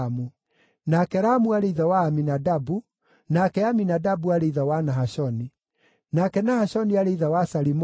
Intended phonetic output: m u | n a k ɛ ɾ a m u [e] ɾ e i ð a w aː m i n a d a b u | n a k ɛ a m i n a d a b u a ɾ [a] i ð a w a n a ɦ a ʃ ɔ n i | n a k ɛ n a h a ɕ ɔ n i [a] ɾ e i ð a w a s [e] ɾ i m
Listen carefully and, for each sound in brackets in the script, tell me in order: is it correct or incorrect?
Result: incorrect: a, incorrect: e, correct, incorrect: a

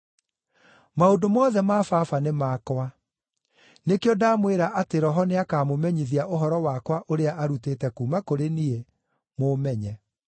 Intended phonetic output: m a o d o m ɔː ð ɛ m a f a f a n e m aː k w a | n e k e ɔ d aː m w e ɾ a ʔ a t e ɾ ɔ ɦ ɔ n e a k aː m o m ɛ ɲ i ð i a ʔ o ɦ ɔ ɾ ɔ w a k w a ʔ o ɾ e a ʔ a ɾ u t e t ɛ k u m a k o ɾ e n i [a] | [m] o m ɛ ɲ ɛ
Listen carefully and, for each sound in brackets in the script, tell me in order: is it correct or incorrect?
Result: incorrect: e, correct

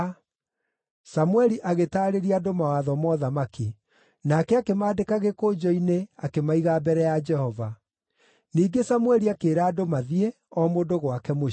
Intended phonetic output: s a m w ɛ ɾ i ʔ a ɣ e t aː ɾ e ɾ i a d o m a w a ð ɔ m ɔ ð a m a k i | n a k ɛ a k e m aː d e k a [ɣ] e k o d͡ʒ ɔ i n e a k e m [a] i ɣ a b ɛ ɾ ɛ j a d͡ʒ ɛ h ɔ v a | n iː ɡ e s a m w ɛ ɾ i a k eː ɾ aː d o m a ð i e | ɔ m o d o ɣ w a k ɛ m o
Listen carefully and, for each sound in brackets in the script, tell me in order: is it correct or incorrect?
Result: correct, correct

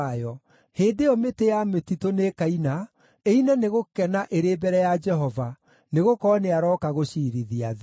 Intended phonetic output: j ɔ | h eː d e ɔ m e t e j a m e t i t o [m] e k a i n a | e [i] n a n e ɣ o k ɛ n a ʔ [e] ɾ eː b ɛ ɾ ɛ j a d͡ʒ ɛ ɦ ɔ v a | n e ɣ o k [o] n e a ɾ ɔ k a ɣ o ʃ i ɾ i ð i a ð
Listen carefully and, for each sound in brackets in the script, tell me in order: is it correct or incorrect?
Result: incorrect: n, correct, correct, incorrect: ɔ

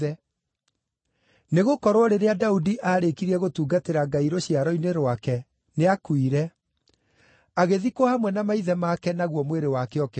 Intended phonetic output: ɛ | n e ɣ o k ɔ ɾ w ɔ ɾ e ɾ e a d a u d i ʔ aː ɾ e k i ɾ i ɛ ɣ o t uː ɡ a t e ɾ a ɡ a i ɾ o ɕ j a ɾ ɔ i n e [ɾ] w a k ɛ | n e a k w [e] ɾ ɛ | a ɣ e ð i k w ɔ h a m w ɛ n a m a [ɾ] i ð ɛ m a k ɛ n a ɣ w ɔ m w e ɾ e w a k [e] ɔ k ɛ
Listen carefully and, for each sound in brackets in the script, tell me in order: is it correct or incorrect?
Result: correct, incorrect: i, incorrect: none, correct

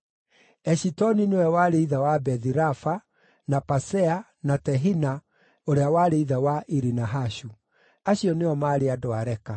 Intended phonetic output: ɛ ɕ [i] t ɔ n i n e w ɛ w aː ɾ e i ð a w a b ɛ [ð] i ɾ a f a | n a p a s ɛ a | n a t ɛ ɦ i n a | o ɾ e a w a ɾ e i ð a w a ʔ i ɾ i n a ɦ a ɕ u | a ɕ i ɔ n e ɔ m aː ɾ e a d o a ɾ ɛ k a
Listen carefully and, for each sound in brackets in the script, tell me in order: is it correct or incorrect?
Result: correct, correct

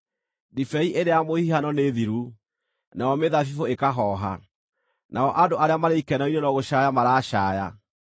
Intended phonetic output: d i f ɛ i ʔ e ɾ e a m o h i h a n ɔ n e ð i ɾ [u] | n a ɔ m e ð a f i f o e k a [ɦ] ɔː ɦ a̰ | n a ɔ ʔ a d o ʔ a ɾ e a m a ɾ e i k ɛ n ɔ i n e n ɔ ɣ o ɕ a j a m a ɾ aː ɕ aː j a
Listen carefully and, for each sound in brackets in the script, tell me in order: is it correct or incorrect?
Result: correct, correct

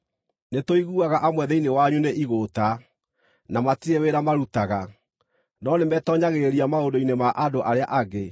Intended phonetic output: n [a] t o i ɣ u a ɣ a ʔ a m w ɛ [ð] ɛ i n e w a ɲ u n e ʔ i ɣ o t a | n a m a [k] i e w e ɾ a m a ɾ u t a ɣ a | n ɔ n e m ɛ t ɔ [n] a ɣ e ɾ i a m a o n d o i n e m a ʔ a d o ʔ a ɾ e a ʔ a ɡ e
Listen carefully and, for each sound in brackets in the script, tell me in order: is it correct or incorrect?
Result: incorrect: e, correct, incorrect: t, incorrect: ɲ

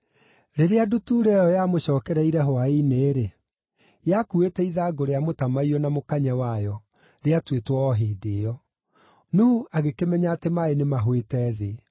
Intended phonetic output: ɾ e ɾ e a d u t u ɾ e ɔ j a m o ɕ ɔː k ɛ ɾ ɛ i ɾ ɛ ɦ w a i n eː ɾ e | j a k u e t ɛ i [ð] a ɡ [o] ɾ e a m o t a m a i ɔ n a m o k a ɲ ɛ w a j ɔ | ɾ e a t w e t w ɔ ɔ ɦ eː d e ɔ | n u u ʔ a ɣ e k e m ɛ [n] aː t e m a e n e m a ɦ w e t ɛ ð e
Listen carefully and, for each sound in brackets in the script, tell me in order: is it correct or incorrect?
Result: correct, correct, incorrect: ɲ

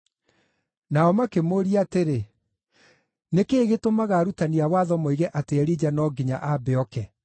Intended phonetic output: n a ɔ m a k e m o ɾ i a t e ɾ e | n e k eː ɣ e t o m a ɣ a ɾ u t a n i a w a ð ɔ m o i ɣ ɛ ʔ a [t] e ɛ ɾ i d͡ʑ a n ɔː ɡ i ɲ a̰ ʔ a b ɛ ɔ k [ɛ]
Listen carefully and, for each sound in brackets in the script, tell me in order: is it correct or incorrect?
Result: correct, correct

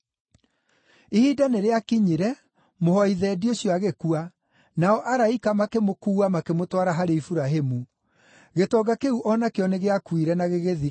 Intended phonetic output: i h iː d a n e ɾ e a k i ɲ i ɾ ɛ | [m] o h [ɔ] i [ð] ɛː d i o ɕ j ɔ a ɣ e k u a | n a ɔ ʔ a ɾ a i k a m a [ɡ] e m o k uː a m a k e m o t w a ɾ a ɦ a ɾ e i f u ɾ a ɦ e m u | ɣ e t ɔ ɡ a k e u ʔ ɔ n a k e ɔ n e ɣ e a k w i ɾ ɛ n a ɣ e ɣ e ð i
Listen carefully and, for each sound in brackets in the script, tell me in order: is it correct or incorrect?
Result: correct, correct, correct, incorrect: k

